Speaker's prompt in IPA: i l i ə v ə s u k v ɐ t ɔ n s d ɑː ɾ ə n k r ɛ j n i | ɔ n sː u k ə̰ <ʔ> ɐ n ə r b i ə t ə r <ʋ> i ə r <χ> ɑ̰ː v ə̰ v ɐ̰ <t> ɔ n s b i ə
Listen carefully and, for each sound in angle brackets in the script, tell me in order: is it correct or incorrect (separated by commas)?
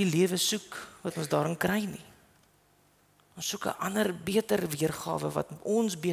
correct, incorrect, correct, correct